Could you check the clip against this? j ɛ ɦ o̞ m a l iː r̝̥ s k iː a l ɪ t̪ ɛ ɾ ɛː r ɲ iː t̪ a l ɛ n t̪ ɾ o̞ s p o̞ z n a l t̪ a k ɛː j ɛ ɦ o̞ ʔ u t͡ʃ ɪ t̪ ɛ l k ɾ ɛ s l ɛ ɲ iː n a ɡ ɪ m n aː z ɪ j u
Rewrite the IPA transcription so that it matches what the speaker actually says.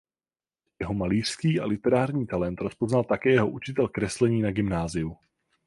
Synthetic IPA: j ɛ ɦ o̞ m a l iː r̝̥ s k iː a l ɪ t̪ ɛ ɾ aː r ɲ iː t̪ a l ɛ n t̪ ɾ o̞ s p o̞ z n a l t̪ a k ɛː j ɛ ɦ o̞ ʔ u t͡ʃ ɪ t̪ ɛ l k ɾ ɛ s l ɛ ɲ iː n a ɡ ɪ m n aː z ɪ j u